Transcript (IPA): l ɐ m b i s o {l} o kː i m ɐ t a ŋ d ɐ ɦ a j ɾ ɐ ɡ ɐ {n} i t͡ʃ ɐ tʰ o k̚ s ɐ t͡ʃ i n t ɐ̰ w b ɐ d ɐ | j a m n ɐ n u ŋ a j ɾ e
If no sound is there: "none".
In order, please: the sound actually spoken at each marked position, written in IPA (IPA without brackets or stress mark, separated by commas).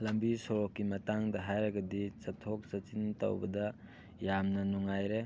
ɾ, d